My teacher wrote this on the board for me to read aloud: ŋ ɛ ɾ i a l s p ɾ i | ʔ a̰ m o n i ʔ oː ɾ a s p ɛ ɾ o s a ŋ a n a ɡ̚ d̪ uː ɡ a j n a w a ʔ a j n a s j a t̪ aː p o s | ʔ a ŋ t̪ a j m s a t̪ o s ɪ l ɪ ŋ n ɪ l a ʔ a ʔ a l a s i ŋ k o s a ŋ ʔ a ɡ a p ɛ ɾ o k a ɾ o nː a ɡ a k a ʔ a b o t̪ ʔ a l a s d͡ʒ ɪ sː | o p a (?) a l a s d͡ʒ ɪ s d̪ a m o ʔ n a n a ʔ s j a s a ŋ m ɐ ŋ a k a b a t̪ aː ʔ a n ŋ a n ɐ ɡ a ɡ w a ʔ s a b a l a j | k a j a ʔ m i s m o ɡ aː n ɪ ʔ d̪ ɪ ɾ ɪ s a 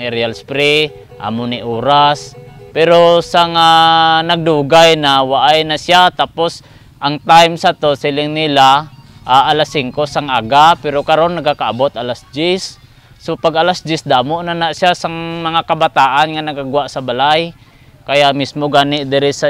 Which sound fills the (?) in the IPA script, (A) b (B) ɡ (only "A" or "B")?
B